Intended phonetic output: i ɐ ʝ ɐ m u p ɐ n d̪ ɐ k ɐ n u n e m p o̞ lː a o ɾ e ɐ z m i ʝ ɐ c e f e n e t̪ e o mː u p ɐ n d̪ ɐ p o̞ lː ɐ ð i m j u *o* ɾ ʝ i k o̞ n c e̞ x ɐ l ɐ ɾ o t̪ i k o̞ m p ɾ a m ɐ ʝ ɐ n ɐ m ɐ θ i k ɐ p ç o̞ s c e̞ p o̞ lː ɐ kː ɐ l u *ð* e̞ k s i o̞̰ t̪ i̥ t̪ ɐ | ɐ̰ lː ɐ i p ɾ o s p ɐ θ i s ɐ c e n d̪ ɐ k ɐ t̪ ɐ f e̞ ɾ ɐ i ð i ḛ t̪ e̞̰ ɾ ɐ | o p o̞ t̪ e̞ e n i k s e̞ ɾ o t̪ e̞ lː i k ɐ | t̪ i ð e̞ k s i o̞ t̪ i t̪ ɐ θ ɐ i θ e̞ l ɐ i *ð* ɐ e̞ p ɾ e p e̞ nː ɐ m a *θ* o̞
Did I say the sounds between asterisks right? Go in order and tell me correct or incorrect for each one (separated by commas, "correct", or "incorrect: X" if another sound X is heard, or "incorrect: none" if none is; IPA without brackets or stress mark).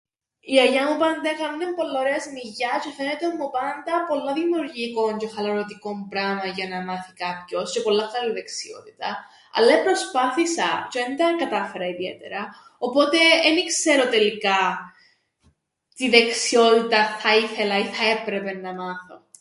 incorrect: u, correct, incorrect: θ, correct